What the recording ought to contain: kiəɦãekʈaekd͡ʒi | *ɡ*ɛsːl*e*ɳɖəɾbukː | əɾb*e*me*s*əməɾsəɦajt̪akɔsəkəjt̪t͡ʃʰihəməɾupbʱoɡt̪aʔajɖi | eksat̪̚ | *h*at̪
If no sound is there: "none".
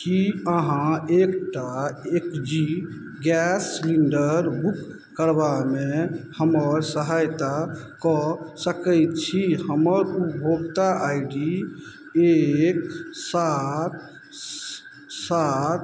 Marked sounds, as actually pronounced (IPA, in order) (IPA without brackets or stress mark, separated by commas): ɡ, i, a, h, s